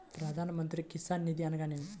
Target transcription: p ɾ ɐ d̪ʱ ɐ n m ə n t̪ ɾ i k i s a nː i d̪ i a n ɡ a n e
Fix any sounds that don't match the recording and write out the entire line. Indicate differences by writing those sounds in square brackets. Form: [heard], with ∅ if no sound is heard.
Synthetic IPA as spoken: p ɾ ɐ d̪ʱ [a] n m ə n t̪ ɾ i k i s a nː i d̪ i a n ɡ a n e